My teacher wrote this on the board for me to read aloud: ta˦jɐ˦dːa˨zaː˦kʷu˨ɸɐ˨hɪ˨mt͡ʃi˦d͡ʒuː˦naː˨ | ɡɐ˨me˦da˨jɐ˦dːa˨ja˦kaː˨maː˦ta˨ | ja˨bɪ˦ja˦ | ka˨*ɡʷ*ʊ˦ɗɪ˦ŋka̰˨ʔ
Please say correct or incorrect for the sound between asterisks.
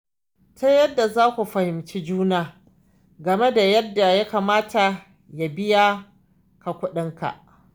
incorrect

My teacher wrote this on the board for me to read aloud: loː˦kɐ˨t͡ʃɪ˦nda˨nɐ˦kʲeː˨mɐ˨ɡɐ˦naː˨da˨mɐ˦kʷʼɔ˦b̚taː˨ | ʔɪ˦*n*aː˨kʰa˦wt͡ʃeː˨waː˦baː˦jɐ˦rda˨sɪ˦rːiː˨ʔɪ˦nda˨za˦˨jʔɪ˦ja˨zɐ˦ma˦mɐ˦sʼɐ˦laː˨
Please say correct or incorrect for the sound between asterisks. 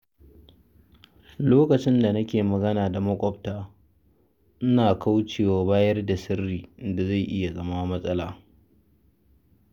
correct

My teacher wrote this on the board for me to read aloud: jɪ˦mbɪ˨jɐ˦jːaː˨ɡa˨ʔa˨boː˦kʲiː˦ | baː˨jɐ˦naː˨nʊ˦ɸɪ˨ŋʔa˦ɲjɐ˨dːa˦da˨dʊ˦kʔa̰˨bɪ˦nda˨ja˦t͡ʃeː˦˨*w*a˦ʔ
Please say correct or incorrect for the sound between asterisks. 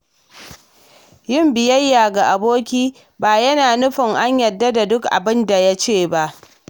incorrect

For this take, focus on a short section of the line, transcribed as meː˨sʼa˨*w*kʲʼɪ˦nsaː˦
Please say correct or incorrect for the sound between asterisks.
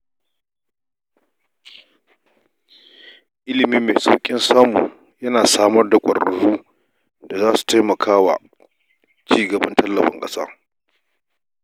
correct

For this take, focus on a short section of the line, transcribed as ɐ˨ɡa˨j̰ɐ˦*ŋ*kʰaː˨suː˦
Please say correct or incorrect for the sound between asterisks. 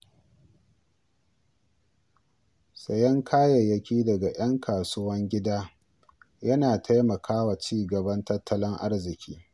correct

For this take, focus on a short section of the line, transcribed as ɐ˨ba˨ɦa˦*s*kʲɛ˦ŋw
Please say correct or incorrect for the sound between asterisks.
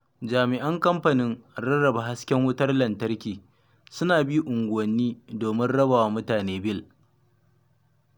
correct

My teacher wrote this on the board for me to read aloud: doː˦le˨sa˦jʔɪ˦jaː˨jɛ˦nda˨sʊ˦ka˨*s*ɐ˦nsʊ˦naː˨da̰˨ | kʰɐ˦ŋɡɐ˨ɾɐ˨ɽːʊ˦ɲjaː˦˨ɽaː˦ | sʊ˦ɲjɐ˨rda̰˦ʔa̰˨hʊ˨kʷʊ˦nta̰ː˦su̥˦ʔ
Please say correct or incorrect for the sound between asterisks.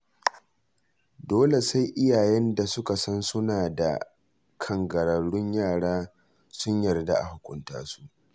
correct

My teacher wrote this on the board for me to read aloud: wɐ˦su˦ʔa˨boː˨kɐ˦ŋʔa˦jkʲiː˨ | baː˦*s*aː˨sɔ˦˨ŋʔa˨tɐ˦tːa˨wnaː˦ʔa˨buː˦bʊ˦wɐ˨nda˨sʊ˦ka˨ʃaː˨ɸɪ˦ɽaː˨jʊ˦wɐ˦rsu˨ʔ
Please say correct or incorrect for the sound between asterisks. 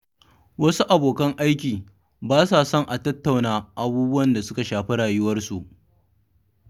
correct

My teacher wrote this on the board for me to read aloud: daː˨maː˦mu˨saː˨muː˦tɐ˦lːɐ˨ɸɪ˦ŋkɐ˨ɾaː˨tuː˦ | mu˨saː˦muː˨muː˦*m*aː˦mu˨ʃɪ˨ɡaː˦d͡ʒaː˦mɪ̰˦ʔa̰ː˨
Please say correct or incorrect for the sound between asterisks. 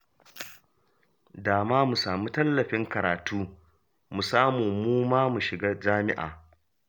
correct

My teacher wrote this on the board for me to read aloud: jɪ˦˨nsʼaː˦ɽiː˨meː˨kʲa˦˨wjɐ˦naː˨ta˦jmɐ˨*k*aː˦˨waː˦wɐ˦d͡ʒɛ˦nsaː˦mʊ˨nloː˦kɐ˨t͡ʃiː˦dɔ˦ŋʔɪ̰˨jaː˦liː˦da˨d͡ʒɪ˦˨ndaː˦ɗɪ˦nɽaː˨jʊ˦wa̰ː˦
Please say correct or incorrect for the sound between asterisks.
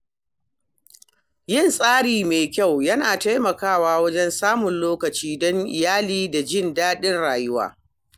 correct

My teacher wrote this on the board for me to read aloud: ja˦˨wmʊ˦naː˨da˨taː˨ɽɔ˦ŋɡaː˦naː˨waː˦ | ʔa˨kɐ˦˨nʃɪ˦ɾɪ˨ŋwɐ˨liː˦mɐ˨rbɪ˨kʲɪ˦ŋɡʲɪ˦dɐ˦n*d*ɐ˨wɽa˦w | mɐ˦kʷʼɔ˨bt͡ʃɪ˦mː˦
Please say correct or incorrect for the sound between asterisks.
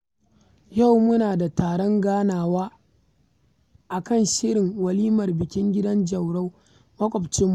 incorrect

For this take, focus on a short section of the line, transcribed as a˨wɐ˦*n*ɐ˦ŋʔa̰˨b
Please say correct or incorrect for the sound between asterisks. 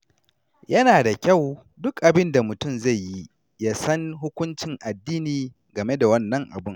incorrect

